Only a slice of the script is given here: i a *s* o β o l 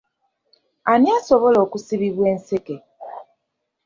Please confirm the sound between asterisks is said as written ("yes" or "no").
yes